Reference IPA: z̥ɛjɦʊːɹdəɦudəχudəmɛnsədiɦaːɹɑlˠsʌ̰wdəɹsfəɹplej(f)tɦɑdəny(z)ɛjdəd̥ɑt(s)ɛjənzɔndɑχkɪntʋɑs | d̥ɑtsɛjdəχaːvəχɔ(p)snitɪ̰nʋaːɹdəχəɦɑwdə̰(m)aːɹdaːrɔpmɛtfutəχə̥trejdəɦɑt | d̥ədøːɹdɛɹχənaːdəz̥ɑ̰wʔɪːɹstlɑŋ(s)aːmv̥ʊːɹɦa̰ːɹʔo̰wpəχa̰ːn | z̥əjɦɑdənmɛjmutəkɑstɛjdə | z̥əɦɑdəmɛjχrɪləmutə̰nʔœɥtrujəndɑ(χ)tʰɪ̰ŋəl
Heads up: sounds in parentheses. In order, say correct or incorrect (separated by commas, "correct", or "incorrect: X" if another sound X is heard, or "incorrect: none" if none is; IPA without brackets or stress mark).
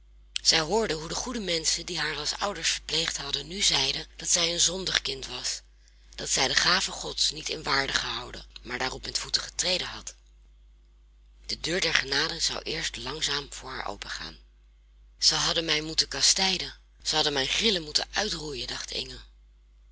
incorrect: χ, correct, correct, incorrect: t, correct, incorrect: z, correct